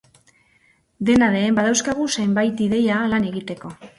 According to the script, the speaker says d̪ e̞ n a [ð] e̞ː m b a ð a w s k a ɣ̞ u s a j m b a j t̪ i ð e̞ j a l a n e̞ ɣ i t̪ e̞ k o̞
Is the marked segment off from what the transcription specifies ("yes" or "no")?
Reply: no